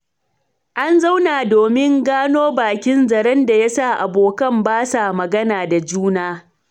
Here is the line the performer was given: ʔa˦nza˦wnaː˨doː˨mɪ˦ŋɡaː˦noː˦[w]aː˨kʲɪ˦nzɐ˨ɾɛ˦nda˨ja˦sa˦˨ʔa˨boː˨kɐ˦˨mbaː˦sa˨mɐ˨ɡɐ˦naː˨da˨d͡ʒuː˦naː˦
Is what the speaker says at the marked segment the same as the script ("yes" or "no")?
no